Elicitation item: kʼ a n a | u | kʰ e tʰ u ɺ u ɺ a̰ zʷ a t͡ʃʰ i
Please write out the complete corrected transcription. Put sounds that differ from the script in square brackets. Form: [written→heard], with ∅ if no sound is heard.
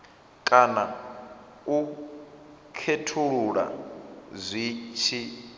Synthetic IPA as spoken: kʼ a n a | u | kʰ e tʰ u ɺ u ɺ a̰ zʷ [a→i] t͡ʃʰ i